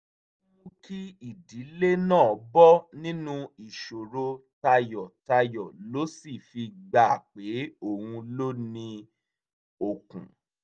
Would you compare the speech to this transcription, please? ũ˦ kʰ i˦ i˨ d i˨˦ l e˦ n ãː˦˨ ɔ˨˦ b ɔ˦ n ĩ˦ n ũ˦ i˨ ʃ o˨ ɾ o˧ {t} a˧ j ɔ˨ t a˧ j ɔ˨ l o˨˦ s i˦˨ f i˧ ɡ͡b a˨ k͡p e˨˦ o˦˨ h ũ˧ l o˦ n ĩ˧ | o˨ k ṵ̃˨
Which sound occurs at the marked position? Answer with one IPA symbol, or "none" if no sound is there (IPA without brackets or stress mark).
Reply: t